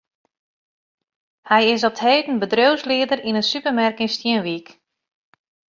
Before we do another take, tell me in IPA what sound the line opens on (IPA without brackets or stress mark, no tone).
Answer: h